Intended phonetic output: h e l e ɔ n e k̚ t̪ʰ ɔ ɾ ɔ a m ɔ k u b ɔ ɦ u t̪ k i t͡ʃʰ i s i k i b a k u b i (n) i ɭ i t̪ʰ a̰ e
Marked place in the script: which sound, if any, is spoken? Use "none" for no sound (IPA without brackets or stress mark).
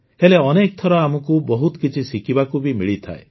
m